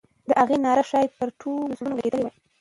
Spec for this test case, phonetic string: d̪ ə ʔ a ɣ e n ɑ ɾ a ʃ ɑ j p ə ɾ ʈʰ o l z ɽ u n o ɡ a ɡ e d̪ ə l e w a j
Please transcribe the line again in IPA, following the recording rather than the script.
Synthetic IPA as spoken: d̪ ə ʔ a ɣ e n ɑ ɾ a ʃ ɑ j p ə ɾ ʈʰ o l z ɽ u n o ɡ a ɡ e d̪ ə l e w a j